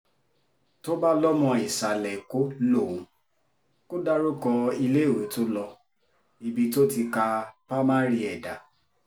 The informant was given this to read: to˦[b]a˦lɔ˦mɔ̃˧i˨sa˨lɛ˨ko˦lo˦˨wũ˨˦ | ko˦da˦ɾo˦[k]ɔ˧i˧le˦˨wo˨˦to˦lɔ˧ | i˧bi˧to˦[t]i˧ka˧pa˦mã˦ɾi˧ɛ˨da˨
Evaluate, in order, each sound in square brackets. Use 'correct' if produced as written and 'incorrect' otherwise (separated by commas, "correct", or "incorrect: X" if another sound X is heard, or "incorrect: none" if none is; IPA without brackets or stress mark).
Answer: correct, correct, correct